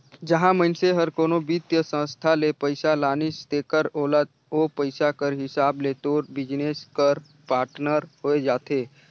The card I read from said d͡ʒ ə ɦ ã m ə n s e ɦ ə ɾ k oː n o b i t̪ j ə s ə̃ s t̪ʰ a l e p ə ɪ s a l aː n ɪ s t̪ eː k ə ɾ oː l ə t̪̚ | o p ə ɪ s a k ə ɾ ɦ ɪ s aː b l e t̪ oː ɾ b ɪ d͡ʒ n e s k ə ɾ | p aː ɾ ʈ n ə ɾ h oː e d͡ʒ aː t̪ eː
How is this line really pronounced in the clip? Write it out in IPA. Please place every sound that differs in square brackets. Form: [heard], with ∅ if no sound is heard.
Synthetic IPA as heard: d͡ʒ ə ɦ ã m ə n s e ɦ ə ɾ k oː n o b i t̪ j ə s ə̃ s t̪ʰ a l e p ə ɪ s a l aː n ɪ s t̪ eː k ə ɾ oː l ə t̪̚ | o p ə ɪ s a k ə ɾ ɦ ɪ s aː b l e t̪ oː ɾ b ɪ d͡ʒ n e s k ə ɾ | p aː ɾ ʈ n ə ɾ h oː e d͡ʒ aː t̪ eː